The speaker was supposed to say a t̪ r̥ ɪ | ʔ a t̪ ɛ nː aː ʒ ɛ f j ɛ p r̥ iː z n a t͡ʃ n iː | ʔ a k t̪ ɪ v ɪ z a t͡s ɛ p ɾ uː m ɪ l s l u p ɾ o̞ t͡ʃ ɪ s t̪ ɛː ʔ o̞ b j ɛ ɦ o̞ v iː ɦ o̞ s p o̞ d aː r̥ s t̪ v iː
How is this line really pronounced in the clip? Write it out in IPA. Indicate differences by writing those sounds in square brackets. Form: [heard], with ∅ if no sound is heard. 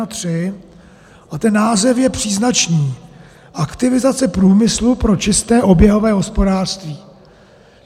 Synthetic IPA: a t̪ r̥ ɪ | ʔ a t̪ ɛ nː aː [z] ɛ f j ɛ p r̥ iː z n a t͡ʃ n iː | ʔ a k t̪ ɪ v ɪ z a t͡s ɛ p ɾ uː m ɪ [∅] s l u p ɾ o̞ t͡ʃ ɪ s t̪ ɛː ʔ o̞ b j ɛ ɦ o̞ v [ɛː] ɦ o̞ s p o̞ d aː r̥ s t̪ v iː